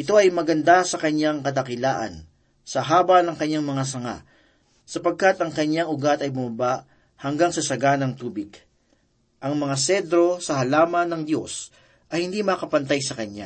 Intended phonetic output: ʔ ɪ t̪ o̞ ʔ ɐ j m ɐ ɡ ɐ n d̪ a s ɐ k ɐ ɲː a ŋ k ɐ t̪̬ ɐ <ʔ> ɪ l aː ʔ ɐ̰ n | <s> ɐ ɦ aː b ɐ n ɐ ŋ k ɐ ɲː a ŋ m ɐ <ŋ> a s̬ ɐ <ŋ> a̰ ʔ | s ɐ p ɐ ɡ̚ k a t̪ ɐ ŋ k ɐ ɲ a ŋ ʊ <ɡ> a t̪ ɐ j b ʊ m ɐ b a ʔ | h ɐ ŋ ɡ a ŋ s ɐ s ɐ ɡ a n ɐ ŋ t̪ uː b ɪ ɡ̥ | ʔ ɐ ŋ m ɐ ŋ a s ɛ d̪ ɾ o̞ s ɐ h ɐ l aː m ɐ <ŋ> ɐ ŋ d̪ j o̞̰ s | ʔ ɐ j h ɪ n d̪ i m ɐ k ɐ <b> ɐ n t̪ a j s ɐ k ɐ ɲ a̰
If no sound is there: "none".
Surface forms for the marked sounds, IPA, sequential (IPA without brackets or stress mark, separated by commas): k, s, ŋ, ŋ, ɡ, n, p